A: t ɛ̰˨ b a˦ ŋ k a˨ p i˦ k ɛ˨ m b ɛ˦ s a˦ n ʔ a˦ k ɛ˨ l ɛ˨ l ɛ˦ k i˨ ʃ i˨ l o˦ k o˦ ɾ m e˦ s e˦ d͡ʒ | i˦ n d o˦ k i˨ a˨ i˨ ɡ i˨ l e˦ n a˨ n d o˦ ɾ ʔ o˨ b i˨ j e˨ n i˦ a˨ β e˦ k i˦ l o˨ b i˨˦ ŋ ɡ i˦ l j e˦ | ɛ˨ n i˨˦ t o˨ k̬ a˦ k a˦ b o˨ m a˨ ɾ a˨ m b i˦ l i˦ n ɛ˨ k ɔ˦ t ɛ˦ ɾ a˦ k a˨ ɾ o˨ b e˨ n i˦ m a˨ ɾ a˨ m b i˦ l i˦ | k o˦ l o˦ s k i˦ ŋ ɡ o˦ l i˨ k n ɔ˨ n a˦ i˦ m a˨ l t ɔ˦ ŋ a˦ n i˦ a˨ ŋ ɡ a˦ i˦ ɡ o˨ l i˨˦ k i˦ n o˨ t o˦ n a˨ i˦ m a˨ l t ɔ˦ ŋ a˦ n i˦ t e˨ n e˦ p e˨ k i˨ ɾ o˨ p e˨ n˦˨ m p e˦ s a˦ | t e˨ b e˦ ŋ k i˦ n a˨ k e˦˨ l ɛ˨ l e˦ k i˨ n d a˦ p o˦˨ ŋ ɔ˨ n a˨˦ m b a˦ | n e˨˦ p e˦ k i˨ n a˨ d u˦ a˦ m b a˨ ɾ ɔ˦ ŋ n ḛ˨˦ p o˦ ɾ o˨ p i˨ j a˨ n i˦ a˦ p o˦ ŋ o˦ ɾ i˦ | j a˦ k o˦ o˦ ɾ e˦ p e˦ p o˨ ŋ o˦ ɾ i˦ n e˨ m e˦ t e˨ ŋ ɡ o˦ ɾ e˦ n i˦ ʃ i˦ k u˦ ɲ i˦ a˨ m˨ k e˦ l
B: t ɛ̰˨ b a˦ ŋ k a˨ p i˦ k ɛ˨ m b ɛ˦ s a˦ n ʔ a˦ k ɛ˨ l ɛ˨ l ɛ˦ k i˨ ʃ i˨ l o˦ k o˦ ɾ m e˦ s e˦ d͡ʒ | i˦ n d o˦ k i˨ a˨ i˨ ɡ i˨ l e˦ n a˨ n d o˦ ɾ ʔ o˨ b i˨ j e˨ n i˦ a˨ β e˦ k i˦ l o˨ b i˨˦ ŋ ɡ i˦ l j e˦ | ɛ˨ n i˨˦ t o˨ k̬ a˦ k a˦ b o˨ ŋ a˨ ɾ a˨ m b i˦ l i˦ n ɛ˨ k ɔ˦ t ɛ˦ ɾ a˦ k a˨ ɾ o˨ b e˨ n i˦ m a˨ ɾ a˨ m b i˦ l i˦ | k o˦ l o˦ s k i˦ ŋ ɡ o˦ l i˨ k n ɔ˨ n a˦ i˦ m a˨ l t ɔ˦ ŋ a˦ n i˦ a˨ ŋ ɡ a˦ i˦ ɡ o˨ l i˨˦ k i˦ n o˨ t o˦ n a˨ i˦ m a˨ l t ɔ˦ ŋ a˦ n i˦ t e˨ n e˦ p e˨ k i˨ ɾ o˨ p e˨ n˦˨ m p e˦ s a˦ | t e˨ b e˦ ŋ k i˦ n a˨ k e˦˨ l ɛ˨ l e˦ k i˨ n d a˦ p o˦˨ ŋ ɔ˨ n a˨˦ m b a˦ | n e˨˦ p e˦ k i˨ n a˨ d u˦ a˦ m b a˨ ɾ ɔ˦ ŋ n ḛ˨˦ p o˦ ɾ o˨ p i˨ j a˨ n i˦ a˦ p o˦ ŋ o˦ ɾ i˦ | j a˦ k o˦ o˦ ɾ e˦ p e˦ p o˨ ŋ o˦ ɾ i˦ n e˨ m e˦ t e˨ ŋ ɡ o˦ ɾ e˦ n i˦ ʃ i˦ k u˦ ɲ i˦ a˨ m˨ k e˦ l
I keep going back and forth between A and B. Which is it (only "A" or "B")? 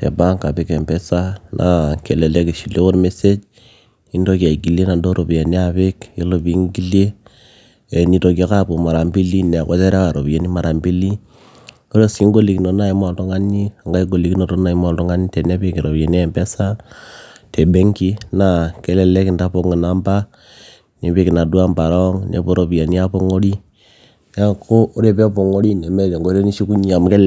A